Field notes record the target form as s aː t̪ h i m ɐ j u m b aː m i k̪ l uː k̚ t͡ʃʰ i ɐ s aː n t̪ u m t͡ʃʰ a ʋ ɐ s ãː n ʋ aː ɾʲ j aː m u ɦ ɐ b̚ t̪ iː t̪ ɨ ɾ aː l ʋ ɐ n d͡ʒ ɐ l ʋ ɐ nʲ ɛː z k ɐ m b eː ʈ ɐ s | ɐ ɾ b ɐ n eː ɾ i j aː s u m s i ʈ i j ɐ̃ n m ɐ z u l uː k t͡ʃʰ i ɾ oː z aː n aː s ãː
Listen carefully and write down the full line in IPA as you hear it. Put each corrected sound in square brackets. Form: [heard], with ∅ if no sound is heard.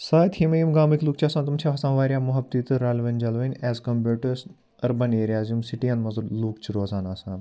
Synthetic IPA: s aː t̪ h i m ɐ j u m [ɡ] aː m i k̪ l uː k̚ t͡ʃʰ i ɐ s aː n t̪ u m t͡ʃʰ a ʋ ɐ s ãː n ʋ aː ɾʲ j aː m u ɦ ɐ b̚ t̪ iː t̪ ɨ ɾ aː l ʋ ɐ n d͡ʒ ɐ l ʋ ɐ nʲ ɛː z k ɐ m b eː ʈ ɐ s | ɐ ɾ b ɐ n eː ɾ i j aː [z] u m s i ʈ i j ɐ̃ n m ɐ z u l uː k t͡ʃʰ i ɾ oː z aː n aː s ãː